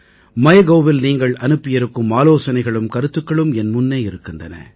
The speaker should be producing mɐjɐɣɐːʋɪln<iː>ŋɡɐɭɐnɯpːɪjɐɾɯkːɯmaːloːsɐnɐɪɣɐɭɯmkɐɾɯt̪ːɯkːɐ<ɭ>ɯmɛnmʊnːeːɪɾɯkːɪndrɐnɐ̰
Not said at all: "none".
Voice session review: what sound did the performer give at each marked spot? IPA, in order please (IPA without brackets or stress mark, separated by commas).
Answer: iː, ɭ